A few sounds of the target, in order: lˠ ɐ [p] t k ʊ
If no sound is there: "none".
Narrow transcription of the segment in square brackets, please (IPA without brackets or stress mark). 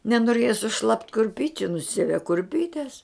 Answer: p